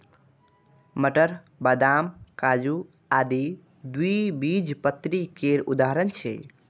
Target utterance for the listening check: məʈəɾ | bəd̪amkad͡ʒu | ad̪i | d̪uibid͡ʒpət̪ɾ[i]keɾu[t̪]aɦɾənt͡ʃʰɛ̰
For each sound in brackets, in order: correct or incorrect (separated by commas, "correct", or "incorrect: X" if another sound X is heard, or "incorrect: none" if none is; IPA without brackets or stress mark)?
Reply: correct, incorrect: d̪